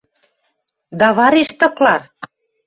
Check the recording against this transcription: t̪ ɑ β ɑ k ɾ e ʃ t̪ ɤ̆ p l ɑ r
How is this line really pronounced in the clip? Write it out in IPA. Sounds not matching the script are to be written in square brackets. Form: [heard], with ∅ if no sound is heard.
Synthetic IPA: [d̪] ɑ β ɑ [∅] ɾ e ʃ t̪ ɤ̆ [k] l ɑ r